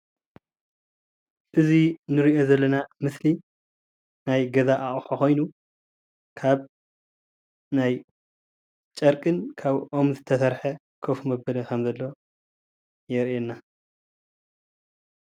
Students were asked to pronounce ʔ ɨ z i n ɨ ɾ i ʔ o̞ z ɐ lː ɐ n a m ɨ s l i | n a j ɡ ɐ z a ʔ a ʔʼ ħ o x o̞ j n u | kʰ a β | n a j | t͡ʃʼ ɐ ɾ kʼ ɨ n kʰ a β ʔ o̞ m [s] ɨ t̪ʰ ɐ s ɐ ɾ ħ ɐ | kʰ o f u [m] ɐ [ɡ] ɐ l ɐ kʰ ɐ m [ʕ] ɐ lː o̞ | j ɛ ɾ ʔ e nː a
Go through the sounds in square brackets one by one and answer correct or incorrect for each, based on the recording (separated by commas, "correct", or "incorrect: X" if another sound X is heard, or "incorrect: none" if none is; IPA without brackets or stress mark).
incorrect: z, correct, incorrect: b, incorrect: z